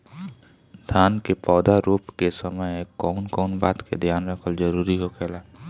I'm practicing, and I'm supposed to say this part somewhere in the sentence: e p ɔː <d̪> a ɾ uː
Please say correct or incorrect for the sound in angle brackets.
correct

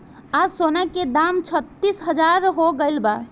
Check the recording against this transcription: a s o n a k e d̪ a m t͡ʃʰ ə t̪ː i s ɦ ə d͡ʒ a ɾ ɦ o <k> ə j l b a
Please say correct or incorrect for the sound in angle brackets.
incorrect: ɡ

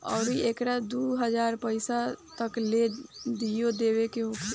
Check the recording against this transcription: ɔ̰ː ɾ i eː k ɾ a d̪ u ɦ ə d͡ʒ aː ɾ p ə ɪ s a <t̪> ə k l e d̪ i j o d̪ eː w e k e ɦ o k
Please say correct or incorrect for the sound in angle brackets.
correct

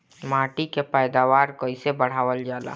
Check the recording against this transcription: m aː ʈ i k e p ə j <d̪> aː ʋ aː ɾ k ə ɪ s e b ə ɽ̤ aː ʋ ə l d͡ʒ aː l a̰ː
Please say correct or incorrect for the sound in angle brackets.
correct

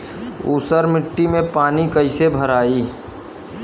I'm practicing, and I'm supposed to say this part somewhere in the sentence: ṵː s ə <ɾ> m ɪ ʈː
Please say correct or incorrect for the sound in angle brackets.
correct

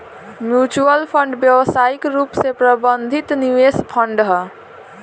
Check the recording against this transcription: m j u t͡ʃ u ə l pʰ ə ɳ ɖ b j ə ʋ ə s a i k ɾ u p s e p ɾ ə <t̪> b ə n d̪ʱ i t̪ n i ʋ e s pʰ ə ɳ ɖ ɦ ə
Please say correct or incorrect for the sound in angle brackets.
incorrect: none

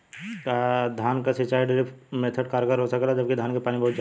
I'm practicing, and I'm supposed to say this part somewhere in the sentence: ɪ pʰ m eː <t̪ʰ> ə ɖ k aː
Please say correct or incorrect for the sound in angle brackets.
correct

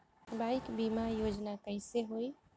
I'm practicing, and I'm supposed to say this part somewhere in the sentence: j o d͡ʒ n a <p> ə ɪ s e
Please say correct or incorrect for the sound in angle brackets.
incorrect: k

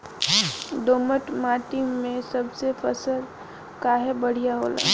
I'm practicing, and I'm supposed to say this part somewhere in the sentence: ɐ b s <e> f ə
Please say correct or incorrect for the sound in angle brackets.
correct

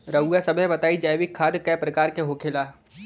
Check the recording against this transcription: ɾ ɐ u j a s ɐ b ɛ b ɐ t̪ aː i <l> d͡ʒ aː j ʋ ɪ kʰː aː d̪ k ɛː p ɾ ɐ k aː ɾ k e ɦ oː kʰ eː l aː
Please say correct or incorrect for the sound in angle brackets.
incorrect: none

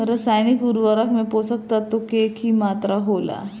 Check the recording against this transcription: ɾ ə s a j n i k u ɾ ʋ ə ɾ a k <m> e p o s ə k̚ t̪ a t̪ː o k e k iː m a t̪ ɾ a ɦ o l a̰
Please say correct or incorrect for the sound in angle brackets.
correct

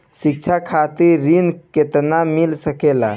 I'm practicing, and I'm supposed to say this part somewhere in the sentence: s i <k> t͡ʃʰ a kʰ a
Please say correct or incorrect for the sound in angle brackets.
correct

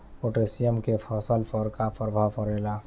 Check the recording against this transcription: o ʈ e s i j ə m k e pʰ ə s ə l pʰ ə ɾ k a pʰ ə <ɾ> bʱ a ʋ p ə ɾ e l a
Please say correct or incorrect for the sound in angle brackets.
correct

